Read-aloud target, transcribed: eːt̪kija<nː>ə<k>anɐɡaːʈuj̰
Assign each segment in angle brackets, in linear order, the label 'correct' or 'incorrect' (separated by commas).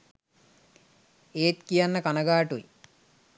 correct, correct